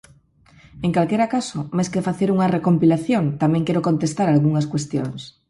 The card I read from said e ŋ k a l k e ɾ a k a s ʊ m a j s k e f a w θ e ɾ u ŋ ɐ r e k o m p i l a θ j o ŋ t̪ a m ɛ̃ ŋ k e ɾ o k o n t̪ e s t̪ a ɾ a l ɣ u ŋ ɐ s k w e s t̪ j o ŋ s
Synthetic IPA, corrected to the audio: e ŋ k a l k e ɾ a k a s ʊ m a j s k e f a θ e ɾ u ŋ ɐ r e k o m p i l a θ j o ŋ t̪ a m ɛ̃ ŋ k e ɾ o k o n t̪ e s t̪ a ɾ a l ɣ u ŋ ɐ s k w e s t̪ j o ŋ s